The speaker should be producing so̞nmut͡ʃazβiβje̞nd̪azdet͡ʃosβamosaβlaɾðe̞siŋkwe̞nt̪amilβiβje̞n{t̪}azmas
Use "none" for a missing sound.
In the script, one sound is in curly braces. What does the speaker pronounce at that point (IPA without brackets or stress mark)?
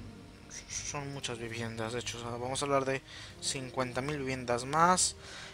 d̪